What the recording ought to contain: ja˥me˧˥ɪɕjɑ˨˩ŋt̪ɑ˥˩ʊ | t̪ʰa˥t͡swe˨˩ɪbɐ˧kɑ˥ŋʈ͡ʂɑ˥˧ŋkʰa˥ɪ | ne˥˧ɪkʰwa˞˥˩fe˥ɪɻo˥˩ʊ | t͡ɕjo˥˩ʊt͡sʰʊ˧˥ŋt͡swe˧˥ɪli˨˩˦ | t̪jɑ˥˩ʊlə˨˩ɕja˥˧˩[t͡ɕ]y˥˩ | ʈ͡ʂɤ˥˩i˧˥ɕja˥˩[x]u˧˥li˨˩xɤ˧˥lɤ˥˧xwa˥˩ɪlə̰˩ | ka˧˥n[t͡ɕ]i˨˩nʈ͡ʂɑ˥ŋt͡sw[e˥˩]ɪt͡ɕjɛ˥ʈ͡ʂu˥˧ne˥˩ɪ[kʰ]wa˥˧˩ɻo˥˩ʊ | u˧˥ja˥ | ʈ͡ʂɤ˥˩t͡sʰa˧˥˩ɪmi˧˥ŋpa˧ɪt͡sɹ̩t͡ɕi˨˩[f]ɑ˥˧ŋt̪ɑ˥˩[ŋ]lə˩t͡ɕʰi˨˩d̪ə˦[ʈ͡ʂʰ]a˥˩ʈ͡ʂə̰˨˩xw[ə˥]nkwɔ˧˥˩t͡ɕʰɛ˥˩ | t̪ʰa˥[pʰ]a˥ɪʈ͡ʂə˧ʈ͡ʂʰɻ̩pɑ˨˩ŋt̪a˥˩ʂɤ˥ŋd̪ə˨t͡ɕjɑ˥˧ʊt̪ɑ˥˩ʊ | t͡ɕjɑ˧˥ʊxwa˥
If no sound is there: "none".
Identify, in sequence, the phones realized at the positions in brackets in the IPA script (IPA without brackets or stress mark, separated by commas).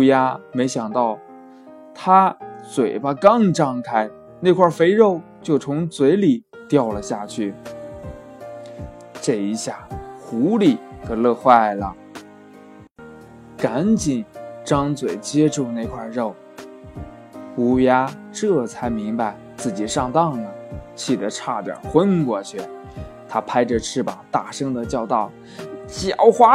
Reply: t͡ɕʰ, x, t͡ɕ, e˨˩, kʰ, ʂ, ŋ, ʈ͡ʂʰ, ə˥, pʰ